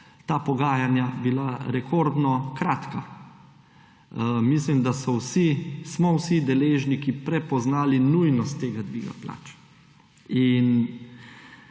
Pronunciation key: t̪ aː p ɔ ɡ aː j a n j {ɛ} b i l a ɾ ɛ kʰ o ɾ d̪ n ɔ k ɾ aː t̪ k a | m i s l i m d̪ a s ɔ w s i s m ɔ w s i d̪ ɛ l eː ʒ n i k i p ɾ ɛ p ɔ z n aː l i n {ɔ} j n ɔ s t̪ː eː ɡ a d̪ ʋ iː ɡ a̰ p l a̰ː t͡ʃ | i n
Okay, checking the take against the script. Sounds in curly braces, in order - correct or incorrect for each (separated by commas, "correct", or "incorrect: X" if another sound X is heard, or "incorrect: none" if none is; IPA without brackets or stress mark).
incorrect: a, incorrect: u